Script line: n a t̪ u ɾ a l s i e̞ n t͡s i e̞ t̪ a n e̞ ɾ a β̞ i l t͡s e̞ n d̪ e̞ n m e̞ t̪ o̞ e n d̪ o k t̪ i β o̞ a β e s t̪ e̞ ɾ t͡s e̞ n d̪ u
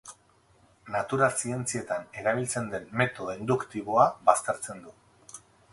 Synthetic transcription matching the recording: n a t̪ u ɾ a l s i e̞ n t͡s i e̞ t̪ a n e̞ ɾ a β̞ i l t͡s e̞ n d̪ e̞ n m e̞ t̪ o̞ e n d̪ u k t̪ i β o̞ a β a s t̪ e̞ ɾ t͡s e̞ n d̪ u